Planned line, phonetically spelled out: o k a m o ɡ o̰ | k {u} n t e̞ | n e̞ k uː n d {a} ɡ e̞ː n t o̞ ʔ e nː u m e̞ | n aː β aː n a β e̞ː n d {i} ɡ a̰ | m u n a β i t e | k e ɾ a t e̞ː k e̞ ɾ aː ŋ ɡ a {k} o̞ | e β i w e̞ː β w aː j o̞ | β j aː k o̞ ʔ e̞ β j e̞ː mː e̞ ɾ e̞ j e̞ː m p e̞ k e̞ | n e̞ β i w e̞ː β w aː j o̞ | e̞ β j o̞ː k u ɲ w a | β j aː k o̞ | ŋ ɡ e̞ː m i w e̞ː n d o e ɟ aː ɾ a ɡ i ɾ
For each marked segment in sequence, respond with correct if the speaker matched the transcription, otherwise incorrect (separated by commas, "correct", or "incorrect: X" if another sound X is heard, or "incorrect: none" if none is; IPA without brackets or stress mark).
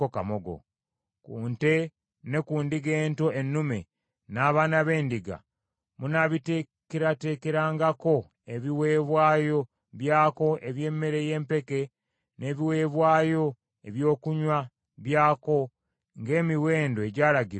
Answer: incorrect: uː, incorrect: i, correct, correct